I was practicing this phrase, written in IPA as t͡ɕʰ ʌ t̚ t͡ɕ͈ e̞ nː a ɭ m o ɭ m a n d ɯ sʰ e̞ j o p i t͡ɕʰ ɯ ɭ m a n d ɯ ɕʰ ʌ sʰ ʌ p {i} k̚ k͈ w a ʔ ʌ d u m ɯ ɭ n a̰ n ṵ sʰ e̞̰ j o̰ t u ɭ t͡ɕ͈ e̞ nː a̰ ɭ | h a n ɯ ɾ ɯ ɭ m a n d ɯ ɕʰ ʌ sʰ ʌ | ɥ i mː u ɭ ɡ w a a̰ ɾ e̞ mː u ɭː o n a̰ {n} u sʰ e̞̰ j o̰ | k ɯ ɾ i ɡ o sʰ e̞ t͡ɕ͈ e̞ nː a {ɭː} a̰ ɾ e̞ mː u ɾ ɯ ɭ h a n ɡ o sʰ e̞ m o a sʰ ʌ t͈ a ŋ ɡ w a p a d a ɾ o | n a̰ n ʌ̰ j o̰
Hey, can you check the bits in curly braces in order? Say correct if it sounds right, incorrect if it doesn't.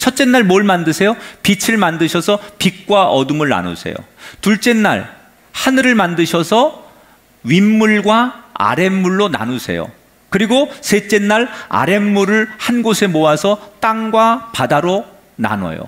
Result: correct, correct, incorrect: ɭ

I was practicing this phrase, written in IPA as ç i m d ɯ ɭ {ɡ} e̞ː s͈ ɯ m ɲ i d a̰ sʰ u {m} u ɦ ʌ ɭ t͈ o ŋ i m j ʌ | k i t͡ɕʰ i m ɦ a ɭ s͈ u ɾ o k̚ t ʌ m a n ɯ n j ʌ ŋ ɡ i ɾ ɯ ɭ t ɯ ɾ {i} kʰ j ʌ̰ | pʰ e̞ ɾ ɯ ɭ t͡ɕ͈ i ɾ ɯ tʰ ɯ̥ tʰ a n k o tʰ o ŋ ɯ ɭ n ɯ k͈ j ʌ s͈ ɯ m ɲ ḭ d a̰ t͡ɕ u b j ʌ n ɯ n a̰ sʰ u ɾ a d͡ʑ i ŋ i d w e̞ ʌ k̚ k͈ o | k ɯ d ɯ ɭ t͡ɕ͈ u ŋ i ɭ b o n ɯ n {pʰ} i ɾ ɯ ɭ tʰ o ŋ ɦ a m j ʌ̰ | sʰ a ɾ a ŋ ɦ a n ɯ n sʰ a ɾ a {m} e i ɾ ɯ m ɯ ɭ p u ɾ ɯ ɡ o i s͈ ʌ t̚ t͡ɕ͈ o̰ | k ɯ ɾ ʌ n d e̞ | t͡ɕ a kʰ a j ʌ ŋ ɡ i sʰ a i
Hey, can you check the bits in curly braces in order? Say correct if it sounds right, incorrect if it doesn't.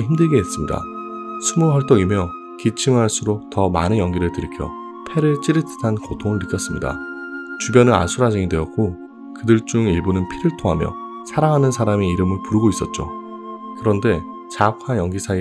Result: correct, correct, correct, correct, correct

